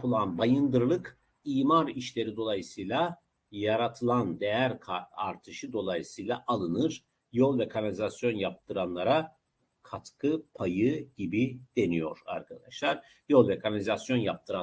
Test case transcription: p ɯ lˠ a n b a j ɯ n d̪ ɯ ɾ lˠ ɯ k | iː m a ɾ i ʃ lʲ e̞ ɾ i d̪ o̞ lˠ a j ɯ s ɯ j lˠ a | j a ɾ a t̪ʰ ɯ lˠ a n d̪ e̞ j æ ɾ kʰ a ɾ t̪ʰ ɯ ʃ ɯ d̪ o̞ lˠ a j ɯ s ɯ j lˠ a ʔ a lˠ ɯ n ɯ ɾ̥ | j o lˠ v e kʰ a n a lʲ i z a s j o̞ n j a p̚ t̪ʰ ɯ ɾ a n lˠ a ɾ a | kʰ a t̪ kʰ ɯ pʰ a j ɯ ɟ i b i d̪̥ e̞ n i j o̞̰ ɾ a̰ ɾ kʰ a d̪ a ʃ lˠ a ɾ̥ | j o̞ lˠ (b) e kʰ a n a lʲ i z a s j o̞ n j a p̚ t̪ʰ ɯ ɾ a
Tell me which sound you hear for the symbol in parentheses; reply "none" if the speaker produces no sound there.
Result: v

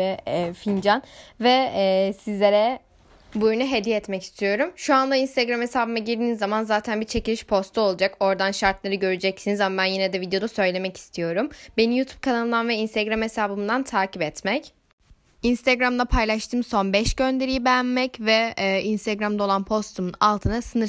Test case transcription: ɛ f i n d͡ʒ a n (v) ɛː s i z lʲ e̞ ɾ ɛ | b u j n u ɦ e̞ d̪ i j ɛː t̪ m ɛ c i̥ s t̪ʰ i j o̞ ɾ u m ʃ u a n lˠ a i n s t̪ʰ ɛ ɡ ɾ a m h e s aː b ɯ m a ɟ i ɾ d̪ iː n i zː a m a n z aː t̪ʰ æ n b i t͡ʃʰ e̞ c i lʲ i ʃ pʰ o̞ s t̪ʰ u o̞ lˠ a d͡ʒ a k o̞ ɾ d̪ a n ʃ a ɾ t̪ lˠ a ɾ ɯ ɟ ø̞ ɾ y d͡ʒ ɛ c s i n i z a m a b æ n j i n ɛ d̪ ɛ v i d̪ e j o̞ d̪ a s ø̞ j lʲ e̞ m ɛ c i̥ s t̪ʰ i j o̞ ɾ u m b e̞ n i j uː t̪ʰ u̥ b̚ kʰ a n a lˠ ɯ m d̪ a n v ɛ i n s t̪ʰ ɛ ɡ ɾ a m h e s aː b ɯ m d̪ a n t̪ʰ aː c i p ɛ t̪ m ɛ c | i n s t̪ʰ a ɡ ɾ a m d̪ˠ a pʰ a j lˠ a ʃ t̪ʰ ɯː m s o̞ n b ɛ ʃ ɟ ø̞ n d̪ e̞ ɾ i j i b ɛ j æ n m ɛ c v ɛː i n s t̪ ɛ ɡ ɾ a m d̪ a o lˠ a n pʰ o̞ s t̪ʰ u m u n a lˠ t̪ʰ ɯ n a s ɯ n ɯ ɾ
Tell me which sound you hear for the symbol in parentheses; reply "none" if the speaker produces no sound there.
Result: v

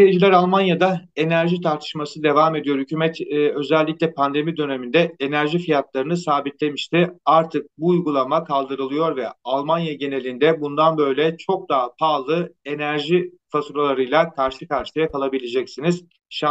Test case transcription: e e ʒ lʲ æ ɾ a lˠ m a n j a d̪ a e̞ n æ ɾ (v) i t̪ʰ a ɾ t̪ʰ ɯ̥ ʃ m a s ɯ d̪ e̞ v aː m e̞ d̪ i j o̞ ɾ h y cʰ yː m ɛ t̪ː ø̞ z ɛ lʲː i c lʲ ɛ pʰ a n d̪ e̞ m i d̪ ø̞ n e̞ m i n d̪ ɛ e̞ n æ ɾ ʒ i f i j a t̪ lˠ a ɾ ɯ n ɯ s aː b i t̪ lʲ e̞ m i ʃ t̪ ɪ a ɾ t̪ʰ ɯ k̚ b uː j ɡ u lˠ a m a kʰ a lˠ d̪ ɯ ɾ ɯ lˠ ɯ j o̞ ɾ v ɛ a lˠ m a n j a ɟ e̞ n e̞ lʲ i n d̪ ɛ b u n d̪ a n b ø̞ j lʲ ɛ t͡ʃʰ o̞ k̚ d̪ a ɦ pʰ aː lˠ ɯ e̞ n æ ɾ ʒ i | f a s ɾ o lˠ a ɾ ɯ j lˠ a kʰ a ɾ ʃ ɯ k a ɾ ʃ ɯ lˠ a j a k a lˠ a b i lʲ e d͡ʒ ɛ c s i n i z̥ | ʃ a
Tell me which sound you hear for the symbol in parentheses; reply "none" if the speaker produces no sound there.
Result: ʒ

